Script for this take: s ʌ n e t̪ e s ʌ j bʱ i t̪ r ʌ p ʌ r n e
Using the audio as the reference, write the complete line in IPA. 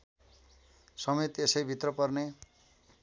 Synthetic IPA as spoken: s ʌ m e t̪ e s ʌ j bʱ i t̪ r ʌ p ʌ r n e